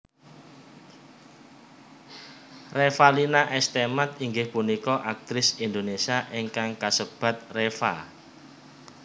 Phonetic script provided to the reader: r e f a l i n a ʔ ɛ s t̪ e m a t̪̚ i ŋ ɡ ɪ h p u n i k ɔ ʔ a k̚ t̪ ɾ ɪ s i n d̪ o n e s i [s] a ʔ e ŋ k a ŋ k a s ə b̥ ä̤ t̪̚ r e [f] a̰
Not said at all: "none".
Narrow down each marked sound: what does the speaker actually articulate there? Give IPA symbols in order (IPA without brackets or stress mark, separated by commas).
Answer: none, f